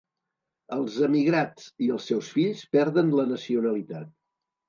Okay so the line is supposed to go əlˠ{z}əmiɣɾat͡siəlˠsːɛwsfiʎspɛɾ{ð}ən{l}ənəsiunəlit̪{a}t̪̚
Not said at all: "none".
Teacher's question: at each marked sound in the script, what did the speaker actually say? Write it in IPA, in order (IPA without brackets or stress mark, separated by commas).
z, ð, l, a